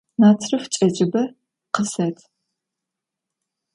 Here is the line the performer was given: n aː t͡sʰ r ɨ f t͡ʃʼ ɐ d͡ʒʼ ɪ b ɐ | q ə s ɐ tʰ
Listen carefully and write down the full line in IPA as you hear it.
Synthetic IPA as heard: n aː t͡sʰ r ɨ f t͡ʃʼ ɐ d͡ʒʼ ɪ b ɐ | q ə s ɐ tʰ